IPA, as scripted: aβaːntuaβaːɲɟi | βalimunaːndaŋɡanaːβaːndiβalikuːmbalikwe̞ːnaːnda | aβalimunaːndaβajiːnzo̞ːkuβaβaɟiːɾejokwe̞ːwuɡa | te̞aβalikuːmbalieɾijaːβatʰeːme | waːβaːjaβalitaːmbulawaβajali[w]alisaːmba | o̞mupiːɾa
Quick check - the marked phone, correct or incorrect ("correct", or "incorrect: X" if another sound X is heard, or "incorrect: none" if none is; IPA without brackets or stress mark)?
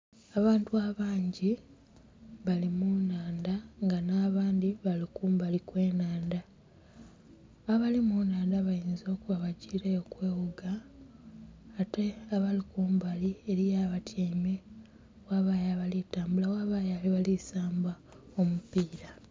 incorrect: β